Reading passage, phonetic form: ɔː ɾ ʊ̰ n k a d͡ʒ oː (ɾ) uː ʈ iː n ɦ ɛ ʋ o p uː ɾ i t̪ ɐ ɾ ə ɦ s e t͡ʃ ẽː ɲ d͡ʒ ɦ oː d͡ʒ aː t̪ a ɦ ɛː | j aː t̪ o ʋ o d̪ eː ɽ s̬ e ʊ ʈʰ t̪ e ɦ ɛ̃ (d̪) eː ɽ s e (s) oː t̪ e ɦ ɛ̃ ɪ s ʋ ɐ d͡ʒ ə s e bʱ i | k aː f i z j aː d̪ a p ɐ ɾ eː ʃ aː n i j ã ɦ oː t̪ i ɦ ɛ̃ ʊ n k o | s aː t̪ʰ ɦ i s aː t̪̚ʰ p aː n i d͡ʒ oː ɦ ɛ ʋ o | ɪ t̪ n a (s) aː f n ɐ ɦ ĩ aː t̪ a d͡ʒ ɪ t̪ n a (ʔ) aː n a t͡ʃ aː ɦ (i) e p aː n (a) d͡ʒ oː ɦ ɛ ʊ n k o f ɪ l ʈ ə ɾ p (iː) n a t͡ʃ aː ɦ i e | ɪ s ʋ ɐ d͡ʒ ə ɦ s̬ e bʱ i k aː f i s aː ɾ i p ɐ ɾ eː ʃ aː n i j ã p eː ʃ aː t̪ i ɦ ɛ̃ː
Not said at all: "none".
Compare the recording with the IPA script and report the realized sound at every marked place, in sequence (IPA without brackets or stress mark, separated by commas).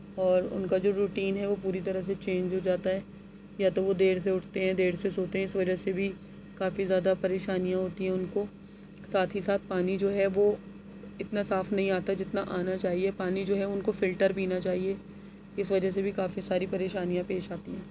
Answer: ɾ, d̪, s, s, ʔ, i, i, iː